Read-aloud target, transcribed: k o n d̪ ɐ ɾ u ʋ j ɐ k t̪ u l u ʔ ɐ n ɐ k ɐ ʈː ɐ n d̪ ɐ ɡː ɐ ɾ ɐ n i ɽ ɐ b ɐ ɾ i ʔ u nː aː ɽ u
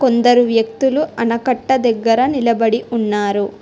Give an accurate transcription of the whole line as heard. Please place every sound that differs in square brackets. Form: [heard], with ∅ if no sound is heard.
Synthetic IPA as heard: k o n d̪ ɐ ɾ u ʋ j ɐ k t̪ u l u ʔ ɐ n ɐ k ɐ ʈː ɐ [∅] d̪ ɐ ɡː ɐ ɾ ɐ n i [l] ɐ b ɐ [ɽ] i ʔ u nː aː [ɾ] u

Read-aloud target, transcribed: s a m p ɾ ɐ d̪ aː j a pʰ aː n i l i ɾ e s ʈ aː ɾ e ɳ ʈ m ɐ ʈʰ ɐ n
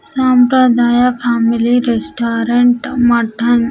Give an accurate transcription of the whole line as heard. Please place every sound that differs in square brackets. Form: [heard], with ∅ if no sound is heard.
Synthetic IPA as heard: s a m p ɾ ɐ d̪ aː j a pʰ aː [m] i l i ɾ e s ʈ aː ɾ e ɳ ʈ m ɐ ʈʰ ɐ n

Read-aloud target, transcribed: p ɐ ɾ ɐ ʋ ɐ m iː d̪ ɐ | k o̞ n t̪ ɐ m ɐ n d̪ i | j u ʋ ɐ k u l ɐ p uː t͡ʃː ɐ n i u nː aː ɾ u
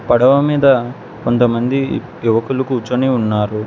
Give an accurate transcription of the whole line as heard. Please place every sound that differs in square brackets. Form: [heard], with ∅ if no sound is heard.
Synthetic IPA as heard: p ɐ [ɽ] ɐ ʋ ɐ m iː d̪ ɐ | k o̞ n t̪ ɐ m ɐ n d̪ i | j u ʋ ɐ k u l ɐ [k] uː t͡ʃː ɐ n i u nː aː ɾ u

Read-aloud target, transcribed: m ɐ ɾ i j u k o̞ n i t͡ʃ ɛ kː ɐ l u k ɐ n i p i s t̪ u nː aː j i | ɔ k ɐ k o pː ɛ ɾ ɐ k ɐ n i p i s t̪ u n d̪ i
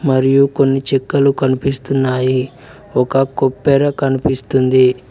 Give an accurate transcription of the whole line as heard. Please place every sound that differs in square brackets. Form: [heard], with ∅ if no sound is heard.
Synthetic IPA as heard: m ɐ ɾ i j u k o̞ [nː] i t͡ʃ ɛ kː ɐ l u k ɐ n i p i s t̪ u nː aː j i | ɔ k ɐ k o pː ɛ ɾ ɐ k ɐ n i p i s t̪ u n d̪ i

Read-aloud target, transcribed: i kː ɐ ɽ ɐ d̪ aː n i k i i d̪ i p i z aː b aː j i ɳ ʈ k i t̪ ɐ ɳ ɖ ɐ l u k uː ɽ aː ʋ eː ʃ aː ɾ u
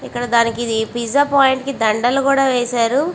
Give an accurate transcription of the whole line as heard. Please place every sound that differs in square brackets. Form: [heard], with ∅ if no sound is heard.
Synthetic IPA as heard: i kː ɐ ɽ ɐ d̪ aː n i k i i d̪ i p i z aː [p] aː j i ɳ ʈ k i [d̪] ɐ ɳ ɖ ɐ l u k uː ɽ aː ʋ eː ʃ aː ɾ u

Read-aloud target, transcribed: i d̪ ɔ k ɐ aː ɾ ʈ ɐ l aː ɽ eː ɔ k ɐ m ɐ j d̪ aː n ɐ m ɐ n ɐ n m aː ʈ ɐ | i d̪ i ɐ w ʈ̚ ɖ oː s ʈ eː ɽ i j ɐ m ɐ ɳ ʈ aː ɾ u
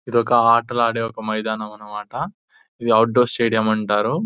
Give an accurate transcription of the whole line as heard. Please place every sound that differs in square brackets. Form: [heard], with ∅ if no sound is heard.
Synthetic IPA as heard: i d̪ ɔ k ɐ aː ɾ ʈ ɐ l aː ɽ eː ɔ k ɐ m ɐ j d̪ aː n ɐ m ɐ n ɐ [∅] m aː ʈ ɐ | i d̪ i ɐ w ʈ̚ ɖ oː s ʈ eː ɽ i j ɐ m ɐ ɳ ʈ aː ɾ u

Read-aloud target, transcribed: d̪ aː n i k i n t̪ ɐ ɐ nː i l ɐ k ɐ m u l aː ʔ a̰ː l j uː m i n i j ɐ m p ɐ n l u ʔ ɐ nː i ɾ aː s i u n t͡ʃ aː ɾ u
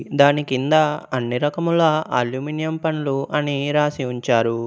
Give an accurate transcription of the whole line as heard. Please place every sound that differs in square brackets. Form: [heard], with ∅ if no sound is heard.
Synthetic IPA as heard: d̪ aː n i k i n [d̪] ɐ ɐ nː i [ɾ] ɐ k ɐ m u l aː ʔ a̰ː l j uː m i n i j ɐ m p ɐ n l u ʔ ɐ [n] i ɾ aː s i u [ɲ] t͡ʃ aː ɾ u

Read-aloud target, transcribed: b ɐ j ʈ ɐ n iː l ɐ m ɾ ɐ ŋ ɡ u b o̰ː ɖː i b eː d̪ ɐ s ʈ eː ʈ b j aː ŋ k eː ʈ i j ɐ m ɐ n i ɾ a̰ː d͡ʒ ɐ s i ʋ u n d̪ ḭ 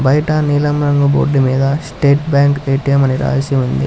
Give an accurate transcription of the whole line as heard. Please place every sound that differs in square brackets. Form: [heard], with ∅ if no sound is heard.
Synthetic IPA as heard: b ɐ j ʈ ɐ n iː l ɐ m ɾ ɐ ŋ ɡ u b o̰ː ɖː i [m] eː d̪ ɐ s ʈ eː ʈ b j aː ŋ k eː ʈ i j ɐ m ɐ n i ɾ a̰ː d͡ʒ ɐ s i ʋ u n d̪ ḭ

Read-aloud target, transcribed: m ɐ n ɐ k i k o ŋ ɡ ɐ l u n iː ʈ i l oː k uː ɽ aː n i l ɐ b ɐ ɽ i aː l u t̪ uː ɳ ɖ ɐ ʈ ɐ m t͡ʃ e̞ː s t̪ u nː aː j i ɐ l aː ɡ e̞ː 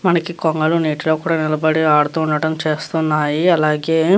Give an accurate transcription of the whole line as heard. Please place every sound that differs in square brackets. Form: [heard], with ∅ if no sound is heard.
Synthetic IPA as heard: m ɐ n ɐ k i k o ŋ ɡ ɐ l u n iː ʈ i l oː k uː ɽ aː n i l ɐ b ɐ ɽ i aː [ɽ] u t̪ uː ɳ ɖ ɐ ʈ ɐ m t͡ʃ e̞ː s t̪ u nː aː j i ɐ l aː ɡ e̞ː

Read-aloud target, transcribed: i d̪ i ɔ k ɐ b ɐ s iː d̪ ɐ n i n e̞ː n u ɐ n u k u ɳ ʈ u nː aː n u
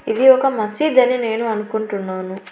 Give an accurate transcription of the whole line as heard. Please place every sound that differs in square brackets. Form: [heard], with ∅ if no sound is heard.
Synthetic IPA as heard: i d̪ i ɔ k ɐ [m] ɐ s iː d̪ ɐ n i n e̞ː n u ɐ n u k u ɳ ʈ u nː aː n u

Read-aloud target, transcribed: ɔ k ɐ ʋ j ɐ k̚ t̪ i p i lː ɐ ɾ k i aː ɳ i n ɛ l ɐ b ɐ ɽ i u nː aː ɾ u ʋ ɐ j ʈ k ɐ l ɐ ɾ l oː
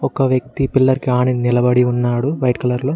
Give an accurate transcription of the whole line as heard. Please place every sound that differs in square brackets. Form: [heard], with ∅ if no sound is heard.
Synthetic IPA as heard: ɔ k ɐ ʋ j ɐ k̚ t̪ i p i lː ɐ ɾ k i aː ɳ i n [i] l ɐ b ɐ ɽ i u nː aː [ɽ] u ʋ ɐ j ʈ k ɐ l ɐ ɾ l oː

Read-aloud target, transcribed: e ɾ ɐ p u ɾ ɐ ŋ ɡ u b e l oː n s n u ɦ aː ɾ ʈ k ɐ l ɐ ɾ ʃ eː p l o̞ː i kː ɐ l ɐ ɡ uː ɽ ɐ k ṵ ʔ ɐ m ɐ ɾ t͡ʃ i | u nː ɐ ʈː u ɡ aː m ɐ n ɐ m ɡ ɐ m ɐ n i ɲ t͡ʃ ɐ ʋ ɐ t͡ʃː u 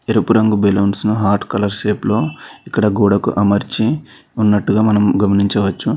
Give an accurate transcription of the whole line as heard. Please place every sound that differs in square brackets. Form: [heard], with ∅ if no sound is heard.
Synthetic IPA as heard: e ɾ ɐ p u ɾ ɐ ŋ ɡ u b e l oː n s n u ɦ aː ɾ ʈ k ɐ l ɐ ɾ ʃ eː p l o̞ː i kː ɐ [ɽ] ɐ ɡ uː ɽ ɐ k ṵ ʔ ɐ m ɐ ɾ t͡ʃ i | u nː ɐ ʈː u ɡ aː m ɐ n ɐ m ɡ ɐ m ɐ n i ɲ t͡ʃ ɐ ʋ ɐ t͡ʃː u

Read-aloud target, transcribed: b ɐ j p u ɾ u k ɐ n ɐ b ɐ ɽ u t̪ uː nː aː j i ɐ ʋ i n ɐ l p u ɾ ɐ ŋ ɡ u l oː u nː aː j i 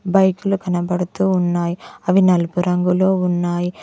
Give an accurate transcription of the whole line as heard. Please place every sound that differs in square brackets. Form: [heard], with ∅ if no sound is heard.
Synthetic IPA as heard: b ɐ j [k] u [l] u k ɐ n ɐ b ɐ ɽ u t̪ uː nː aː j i ɐ ʋ i n ɐ l p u ɾ ɐ ŋ ɡ u l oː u nː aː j i

